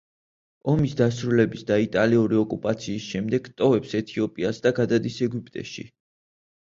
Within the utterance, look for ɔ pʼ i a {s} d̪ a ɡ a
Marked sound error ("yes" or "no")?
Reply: no